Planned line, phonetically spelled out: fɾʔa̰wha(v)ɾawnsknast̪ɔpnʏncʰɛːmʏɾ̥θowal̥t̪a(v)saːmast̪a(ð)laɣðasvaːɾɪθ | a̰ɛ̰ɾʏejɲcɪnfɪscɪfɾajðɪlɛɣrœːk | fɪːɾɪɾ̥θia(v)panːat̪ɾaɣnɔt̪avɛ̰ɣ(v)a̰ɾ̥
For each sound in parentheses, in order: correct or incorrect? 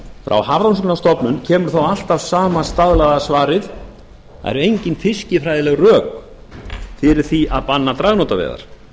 correct, correct, correct, incorrect: ð, incorrect: ð

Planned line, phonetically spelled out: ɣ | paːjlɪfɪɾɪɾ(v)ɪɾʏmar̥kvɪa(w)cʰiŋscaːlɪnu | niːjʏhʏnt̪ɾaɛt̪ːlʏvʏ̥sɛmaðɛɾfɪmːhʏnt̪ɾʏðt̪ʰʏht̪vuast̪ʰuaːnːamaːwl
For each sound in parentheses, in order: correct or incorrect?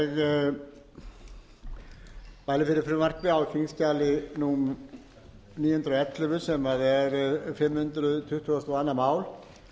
incorrect: f, correct

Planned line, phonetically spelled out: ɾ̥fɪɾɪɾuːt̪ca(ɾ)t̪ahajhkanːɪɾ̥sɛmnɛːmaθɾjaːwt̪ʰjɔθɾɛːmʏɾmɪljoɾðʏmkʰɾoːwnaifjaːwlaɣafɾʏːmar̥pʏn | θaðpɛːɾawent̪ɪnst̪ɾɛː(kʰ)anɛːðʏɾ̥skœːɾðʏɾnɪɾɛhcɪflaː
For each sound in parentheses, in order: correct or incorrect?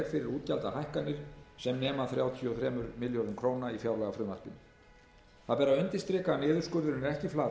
incorrect: l, incorrect: k

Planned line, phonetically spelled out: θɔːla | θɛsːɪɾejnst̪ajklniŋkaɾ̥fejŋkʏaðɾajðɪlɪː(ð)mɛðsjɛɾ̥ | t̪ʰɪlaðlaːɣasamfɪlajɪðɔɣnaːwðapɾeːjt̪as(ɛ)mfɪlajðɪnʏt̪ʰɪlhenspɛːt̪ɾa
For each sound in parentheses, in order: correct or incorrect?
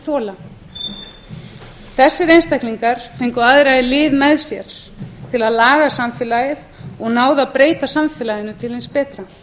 correct, incorrect: a

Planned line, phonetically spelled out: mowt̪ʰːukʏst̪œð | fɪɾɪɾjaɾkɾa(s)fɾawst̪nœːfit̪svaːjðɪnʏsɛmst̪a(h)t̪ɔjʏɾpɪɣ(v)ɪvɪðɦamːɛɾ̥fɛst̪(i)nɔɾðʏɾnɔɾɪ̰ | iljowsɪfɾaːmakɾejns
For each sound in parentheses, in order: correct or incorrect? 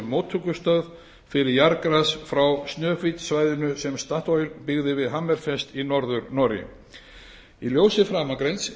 correct, correct, incorrect: ð, correct

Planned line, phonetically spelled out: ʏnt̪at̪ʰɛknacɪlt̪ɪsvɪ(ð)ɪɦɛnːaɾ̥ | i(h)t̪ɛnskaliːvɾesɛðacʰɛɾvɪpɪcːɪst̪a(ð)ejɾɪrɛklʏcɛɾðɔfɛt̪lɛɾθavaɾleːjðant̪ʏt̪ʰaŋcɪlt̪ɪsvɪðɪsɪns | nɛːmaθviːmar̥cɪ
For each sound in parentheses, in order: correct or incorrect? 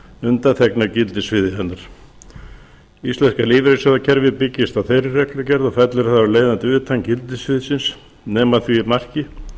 correct, incorrect: s, incorrect: θ

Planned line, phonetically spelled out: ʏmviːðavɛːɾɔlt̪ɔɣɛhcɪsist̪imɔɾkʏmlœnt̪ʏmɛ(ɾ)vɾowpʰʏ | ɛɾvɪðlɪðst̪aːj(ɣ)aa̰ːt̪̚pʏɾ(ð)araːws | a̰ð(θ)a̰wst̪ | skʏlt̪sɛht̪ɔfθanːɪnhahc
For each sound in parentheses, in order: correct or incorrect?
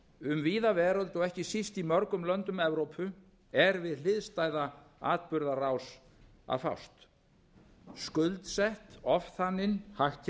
incorrect: none, incorrect: ð, correct, incorrect: f

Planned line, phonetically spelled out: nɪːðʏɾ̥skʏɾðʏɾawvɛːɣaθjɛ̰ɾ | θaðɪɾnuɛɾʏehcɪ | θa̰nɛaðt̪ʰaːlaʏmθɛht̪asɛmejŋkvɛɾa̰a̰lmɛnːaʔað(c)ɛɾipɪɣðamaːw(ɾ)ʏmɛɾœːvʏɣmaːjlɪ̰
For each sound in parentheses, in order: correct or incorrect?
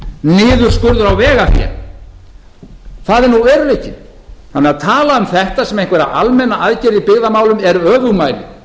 correct, incorrect: l

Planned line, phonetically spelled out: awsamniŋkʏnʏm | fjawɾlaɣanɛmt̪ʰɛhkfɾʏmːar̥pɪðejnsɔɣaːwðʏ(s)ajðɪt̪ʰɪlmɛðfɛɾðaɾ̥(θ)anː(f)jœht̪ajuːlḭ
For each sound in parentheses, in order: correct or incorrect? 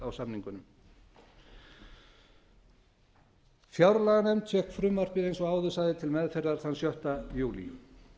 correct, correct, incorrect: s

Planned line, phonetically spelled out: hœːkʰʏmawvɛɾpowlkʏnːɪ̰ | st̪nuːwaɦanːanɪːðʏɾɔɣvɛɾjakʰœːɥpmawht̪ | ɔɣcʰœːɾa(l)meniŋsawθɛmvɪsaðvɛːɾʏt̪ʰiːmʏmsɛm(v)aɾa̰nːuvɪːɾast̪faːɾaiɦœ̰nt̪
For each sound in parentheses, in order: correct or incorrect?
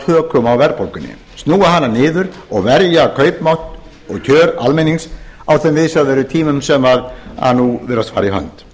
correct, correct

